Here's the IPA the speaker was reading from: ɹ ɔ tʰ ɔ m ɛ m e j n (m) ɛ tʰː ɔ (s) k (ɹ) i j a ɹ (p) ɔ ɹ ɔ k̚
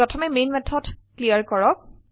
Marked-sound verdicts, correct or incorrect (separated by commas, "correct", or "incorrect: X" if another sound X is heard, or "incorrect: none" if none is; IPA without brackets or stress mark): correct, incorrect: t, incorrect: l, incorrect: k